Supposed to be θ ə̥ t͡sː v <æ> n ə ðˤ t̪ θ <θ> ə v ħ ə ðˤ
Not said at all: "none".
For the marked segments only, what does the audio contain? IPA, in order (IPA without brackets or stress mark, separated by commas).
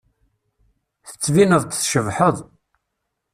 i, ʃ